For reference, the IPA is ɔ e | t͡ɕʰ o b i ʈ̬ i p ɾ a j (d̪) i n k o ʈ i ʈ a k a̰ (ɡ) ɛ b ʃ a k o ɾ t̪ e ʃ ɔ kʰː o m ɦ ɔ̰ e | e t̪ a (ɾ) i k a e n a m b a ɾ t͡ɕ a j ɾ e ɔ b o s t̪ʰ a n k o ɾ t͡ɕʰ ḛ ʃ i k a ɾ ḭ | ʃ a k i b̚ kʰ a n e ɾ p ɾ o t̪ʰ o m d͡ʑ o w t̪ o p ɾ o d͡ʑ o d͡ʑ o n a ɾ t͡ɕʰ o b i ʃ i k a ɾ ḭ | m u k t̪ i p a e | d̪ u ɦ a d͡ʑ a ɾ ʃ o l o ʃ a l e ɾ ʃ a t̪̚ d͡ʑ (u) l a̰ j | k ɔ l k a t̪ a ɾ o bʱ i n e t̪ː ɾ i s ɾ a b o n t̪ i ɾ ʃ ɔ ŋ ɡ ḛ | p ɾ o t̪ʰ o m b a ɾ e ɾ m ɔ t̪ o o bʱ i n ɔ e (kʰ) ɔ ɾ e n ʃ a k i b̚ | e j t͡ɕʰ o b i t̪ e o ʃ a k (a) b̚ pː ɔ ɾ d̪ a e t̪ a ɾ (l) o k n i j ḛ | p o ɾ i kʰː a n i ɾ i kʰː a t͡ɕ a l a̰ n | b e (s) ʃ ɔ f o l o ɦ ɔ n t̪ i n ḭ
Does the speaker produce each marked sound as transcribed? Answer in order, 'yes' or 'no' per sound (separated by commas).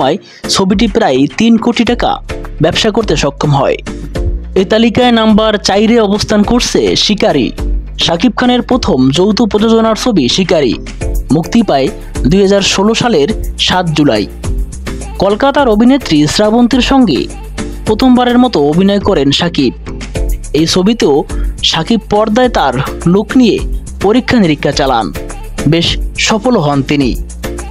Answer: no, no, no, yes, no, no, yes, no